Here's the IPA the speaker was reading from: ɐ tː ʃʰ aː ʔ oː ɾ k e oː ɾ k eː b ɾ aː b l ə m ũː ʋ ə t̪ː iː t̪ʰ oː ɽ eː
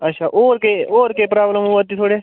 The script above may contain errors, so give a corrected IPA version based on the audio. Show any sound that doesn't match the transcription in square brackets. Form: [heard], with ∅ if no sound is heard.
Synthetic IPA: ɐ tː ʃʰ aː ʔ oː ɾ k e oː ɾ k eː [p] ɾ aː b l ə m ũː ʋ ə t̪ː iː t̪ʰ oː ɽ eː

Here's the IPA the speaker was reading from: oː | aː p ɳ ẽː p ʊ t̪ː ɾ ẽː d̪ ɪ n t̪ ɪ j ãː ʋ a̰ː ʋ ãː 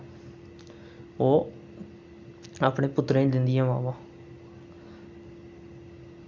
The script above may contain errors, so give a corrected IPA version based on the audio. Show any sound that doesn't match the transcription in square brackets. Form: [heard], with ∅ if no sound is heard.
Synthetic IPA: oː | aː p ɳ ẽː p ʊ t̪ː ɾ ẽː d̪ ɪ n [d̪] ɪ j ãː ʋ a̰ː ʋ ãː

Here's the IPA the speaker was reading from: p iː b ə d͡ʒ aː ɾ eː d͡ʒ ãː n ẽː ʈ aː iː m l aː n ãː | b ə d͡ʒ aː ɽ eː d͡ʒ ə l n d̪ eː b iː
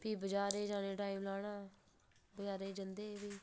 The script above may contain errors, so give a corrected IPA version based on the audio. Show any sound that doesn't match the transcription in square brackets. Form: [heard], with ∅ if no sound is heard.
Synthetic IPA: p iː b ə d͡ʒ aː ɾ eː d͡ʒ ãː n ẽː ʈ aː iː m l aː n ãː | b ə d͡ʒ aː [ɾ] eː d͡ʒ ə [∅] n d̪ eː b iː

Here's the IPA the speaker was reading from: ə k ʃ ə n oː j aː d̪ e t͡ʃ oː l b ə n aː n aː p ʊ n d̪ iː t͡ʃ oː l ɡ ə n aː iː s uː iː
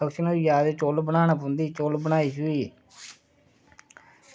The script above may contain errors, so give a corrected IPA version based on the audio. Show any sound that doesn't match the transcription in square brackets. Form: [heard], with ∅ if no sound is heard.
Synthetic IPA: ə k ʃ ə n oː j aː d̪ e t͡ʃ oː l b ə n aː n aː p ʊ n d̪ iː t͡ʃ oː l [b] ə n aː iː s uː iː

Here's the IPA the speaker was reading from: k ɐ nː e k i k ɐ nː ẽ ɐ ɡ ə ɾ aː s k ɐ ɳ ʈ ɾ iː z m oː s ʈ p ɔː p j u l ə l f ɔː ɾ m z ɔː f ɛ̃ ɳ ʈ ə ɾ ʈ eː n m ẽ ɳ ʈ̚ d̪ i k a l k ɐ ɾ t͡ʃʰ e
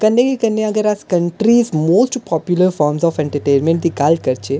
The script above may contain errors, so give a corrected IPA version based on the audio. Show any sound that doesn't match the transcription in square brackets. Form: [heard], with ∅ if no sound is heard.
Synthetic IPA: k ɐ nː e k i k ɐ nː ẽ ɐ ɡ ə ɾ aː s k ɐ ɳ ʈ ɾ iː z m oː s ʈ p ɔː p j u l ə [ɾ] f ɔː ɾ m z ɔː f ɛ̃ ɳ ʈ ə ɾ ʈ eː n m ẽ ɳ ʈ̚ d̪ i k a l k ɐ ɾ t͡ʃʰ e

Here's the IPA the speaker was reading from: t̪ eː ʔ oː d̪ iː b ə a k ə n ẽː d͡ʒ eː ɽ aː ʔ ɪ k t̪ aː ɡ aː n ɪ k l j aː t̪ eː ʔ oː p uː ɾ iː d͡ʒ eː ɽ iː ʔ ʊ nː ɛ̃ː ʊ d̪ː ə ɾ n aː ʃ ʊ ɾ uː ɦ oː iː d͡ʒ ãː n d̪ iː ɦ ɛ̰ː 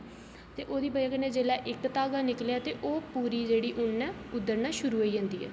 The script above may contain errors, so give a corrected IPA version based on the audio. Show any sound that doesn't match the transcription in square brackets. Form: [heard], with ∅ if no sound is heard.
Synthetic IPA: t̪ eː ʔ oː d̪ iː b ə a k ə n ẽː d͡ʒ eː [l] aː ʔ ɪ k t̪ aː ɡ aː n ɪ k l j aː t̪ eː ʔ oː p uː ɾ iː d͡ʒ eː ɽ iː ʔ ʊ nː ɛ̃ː ʊ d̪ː ə ɾ n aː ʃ ʊ ɾ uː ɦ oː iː d͡ʒ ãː n d̪ iː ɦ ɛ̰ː

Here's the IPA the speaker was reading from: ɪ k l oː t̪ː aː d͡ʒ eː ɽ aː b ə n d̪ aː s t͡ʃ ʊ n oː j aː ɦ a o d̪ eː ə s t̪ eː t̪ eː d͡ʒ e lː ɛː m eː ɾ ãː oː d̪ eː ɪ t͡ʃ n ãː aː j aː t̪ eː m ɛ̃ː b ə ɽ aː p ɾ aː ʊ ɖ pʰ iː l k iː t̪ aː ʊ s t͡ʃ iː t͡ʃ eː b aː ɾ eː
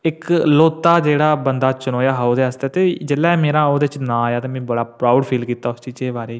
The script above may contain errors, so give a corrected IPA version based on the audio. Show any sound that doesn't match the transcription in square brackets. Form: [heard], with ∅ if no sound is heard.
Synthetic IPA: ɪ k l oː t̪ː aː d͡ʒ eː ɽ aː b ə n d̪ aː [∅] t͡ʃ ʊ n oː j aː ɦ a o d̪ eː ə s t̪ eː t̪ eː d͡ʒ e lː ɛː m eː ɾ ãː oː d̪ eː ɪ t͡ʃ n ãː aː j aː t̪ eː m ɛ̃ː b ə ɽ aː p ɾ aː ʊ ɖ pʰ iː l k iː t̪ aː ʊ s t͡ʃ iː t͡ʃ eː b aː ɾ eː

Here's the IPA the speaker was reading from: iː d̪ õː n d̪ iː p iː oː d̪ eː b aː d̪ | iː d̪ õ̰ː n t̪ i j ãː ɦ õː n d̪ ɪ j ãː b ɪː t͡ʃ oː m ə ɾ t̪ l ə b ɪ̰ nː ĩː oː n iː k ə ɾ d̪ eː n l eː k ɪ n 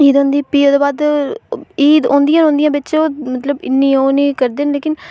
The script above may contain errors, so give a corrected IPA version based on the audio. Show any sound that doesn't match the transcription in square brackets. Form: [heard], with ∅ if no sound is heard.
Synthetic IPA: iː d̪ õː n d̪ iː p iː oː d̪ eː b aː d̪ | iː d̪ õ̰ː n [d̪] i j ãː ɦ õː n d̪ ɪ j ãː b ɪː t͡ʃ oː m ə [∅] t̪ l ə b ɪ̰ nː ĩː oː n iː k ə ɾ d̪ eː n l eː k ɪ n

